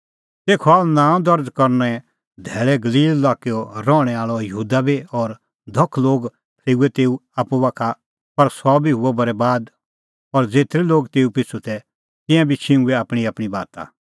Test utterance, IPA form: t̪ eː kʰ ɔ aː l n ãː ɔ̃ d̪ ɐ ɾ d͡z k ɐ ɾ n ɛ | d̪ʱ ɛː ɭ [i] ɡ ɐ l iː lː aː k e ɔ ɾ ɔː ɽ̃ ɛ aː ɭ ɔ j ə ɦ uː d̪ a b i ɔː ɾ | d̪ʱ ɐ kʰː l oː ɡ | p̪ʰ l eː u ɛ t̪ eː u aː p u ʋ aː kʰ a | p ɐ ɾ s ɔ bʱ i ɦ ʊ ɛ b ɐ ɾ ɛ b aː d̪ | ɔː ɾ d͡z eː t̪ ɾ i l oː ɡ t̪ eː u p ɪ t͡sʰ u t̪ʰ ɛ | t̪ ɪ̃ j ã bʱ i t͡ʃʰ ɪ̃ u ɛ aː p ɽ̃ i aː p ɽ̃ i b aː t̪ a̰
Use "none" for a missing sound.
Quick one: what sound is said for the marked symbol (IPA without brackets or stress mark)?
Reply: ɛ